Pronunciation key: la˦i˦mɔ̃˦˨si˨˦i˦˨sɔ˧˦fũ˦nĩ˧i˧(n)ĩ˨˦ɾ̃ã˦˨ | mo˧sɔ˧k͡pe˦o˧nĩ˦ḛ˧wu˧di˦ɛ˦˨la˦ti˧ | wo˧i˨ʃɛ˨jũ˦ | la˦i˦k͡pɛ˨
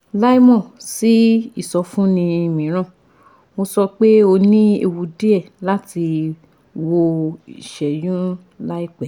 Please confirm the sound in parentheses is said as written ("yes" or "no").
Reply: no